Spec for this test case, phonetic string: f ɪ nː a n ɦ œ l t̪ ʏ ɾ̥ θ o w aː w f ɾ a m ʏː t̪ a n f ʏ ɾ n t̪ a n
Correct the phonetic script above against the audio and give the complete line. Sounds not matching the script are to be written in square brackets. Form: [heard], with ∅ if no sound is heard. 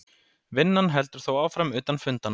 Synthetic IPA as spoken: [v] ɪ nː a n ɦ [ɛ] l t̪ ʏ ɾ̥ θ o w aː w f ɾ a m ʏː t̪ a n f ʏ [∅] n t̪ a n